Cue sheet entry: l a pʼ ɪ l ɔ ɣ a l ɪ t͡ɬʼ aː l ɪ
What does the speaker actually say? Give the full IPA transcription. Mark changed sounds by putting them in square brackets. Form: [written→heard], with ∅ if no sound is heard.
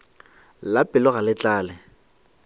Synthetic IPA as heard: l a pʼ ɪ l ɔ ɣ a l ɪ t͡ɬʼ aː l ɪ